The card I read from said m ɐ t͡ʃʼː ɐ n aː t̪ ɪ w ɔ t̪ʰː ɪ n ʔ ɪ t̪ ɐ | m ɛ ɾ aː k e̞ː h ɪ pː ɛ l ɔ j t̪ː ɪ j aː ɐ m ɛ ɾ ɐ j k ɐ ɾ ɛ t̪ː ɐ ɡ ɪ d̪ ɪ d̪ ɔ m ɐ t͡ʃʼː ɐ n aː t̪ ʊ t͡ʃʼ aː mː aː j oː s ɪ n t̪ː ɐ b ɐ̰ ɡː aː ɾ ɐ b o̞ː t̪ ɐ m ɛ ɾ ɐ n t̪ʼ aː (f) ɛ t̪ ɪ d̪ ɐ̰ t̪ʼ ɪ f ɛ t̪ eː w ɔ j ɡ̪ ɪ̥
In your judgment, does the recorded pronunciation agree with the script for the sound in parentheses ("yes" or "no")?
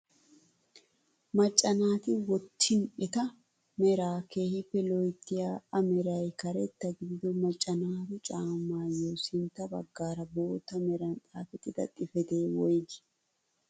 yes